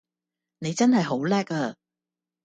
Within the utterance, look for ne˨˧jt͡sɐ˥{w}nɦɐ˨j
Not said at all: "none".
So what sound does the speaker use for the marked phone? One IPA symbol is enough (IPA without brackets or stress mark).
none